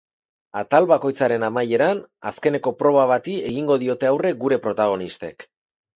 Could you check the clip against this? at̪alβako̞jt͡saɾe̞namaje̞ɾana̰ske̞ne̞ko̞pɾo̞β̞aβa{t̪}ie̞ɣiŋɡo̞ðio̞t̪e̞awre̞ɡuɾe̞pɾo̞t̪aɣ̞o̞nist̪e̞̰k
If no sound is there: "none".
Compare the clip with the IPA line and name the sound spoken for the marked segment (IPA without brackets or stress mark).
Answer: t̪